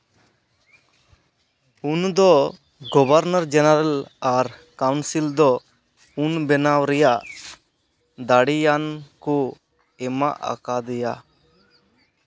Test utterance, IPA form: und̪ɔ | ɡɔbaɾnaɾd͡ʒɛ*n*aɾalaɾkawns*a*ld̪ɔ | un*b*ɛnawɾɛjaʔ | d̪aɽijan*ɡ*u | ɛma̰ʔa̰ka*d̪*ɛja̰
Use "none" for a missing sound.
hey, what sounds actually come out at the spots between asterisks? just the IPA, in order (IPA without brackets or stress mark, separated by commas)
n, i, b, k, d̪